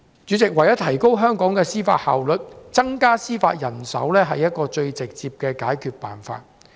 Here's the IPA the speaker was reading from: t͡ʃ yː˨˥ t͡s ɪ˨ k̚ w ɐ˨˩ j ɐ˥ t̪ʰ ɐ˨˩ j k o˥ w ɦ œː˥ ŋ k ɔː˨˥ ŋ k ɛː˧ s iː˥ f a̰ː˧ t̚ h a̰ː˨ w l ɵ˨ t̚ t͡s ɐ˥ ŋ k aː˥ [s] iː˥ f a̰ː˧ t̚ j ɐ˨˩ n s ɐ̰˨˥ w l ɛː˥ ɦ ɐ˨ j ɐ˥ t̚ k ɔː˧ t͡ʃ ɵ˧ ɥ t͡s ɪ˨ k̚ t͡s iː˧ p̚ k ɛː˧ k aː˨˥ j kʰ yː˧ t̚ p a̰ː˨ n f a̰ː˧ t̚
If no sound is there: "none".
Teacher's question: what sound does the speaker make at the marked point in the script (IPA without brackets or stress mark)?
s